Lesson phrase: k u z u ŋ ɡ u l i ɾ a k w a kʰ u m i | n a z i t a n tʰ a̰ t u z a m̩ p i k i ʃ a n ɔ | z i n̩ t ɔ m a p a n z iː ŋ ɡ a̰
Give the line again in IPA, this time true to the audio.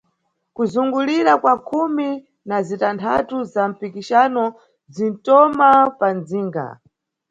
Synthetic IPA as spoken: k u z u ŋ ɡ u l i ɾ a k w a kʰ u m i | n a z i t a n tʰ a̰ t u z a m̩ p i k i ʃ a n ɔ | z i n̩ t ɔ m a p a n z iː ŋ ɡ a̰